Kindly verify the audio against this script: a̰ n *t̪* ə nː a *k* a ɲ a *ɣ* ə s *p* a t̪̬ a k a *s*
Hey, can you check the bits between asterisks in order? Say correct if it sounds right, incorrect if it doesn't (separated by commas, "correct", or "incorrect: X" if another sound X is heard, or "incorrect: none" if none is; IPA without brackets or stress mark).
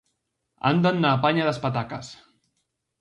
incorrect: d̪, incorrect: p, incorrect: ð, correct, correct